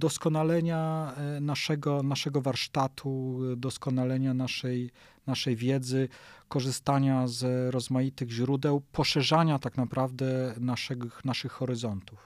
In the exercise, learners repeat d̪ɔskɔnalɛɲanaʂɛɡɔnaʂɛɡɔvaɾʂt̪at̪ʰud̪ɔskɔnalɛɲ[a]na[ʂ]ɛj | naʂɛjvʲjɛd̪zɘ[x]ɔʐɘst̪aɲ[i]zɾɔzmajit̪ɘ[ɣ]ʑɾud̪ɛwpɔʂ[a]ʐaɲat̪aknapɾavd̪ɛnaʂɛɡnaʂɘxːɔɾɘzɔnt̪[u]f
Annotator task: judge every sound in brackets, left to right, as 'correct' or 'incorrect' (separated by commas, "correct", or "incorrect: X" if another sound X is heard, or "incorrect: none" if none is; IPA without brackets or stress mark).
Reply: correct, correct, incorrect: k, incorrect: a, correct, incorrect: ɛ, correct